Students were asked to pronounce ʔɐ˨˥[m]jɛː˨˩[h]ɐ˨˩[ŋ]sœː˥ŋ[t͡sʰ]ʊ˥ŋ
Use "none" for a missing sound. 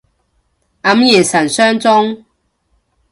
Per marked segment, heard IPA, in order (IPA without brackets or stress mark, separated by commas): m, s, n, t͡s